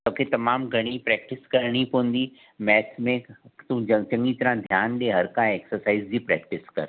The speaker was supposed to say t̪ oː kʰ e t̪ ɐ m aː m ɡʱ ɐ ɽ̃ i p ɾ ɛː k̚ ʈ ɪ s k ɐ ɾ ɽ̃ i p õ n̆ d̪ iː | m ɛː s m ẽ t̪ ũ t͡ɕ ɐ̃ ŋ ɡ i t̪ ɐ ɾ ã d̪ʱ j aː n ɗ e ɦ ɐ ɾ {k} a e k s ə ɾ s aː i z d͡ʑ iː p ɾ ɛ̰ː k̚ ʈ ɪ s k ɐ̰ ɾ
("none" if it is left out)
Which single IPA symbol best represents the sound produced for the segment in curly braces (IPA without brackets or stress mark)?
k